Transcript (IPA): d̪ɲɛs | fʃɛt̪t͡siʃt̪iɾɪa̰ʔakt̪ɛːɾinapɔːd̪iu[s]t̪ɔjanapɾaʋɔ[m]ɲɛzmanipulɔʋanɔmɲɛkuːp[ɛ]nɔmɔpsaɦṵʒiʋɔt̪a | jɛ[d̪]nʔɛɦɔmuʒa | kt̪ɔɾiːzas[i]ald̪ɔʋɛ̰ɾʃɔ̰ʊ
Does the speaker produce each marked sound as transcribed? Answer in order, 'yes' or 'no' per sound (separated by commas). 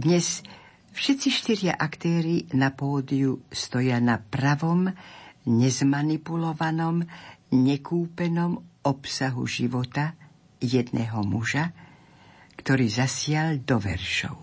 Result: yes, yes, yes, yes, no